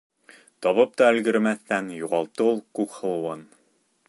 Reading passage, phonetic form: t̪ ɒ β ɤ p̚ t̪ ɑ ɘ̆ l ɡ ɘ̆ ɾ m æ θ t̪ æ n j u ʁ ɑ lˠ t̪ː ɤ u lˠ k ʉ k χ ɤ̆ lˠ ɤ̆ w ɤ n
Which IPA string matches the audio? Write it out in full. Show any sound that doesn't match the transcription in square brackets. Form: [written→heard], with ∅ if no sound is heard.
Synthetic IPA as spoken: t̪ ɒ β ɤ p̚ t̪ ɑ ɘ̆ l ɡ ɘ̆ ɾ m æ θ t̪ æ n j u ʁ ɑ lˠ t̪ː ɤ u lˠ k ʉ k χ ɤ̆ lˠ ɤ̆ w ɤ n